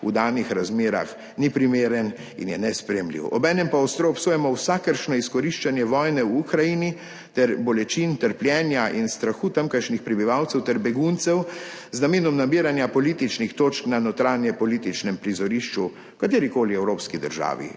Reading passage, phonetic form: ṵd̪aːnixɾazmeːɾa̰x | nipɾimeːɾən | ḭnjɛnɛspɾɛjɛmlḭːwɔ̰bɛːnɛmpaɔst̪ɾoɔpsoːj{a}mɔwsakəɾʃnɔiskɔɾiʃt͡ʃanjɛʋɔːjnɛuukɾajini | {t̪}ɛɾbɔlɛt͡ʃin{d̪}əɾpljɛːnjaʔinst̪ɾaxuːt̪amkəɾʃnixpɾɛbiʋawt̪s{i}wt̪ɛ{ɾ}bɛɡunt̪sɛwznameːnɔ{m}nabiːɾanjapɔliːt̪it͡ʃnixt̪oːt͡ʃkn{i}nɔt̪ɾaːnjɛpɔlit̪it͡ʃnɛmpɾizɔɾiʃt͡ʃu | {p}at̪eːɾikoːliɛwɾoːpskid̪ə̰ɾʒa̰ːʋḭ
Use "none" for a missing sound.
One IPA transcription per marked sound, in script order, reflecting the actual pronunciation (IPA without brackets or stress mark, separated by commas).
ɛ, t̪, t̪, ɛ, ɾ, m, a, k